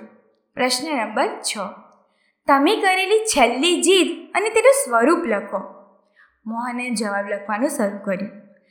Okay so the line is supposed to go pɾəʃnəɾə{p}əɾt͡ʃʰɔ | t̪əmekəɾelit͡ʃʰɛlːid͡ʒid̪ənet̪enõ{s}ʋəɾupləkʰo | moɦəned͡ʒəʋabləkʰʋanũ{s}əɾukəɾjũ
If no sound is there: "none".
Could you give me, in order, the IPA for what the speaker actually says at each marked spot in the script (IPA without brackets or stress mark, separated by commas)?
b, s, s